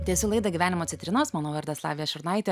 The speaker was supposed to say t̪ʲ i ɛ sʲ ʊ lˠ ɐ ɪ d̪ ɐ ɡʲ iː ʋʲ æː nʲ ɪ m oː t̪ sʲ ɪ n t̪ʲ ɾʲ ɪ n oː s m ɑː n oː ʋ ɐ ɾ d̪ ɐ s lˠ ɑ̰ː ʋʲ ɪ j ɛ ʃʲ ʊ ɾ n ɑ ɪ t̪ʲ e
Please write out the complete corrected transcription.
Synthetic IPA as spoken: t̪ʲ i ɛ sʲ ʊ lˠ ɐ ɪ d̪ ɐ ɡʲ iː ʋʲ æː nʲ ɪ m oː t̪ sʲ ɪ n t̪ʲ ɾʲ ɪ n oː s m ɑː n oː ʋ ɐ ɾ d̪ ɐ s lˠ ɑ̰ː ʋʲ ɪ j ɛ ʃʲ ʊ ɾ n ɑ ɪ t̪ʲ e